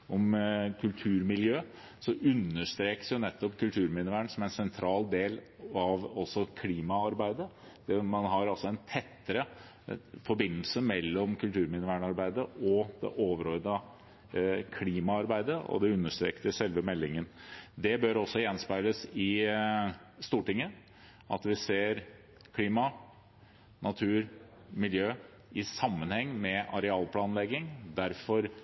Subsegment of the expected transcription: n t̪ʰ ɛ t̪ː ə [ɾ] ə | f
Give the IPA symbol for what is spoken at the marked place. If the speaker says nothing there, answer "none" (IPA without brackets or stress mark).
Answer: ɾ